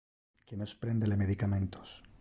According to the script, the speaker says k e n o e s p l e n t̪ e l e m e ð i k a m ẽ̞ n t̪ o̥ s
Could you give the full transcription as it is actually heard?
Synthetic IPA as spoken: k e n o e s p ɾ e n d̪ e l e m e ð i k a m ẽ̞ n t̪ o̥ s